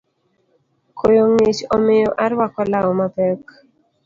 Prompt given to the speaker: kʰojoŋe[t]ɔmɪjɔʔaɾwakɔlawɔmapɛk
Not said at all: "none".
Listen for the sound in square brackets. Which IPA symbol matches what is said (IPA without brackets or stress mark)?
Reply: t͡ʃ